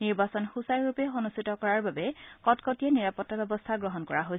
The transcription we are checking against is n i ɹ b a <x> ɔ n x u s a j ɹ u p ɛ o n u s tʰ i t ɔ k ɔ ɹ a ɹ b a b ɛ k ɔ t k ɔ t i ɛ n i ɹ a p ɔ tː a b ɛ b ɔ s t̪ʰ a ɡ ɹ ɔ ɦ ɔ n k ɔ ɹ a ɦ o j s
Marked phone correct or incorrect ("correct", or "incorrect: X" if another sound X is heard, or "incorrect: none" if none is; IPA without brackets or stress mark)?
incorrect: s